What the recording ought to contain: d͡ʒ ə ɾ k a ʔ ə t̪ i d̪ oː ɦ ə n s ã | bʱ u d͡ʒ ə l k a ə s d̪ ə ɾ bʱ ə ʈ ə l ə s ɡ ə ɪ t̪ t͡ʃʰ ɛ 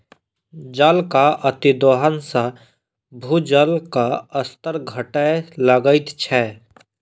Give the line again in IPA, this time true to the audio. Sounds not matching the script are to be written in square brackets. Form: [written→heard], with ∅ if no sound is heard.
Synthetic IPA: d͡ʒ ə [ɾ→l] k a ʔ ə t̪ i d̪ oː ɦ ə n s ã | bʱ u d͡ʒ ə l k a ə s [d̪→t̪] ə ɾ [bʱ→ɡʱ] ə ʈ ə l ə [s→∅] ɡ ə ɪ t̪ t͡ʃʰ ɛ